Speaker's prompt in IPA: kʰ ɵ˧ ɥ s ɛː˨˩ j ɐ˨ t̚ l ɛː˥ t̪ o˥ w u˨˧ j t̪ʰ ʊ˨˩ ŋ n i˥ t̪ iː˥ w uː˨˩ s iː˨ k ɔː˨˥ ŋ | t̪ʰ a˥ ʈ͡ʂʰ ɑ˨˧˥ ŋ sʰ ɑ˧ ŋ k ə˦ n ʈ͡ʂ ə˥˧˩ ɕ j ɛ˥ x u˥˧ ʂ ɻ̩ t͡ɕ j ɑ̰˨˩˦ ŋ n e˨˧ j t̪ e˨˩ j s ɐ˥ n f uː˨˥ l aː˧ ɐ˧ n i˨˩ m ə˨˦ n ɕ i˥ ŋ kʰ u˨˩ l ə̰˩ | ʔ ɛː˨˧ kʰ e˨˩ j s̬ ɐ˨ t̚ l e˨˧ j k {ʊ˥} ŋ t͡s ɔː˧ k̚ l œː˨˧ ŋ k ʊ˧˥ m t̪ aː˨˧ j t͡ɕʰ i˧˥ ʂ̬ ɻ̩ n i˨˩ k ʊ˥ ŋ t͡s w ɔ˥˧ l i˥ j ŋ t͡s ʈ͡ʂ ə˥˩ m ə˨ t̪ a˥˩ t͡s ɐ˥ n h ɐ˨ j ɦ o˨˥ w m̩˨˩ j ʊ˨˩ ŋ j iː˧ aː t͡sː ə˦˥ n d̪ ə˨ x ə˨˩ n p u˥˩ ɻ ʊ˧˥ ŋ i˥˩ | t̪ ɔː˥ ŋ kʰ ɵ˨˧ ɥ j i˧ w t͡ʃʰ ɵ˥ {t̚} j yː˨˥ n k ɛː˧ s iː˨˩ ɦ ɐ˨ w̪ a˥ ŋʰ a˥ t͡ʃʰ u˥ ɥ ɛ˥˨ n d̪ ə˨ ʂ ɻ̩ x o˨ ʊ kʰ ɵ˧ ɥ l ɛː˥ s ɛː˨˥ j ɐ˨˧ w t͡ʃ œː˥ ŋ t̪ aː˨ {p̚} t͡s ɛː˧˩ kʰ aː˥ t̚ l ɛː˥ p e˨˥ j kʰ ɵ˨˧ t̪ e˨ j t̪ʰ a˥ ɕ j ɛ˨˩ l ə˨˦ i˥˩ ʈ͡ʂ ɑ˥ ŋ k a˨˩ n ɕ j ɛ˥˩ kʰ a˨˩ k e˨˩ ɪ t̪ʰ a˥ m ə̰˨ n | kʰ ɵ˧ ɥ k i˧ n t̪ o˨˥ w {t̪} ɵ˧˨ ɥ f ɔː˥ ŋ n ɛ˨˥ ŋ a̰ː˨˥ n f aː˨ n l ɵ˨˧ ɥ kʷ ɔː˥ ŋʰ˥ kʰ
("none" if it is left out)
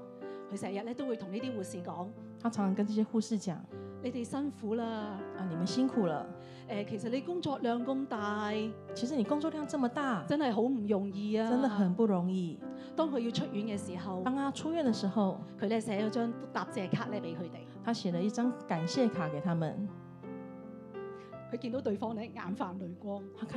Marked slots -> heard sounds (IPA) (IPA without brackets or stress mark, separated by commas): ʊ˥, t̚, p̚, t̪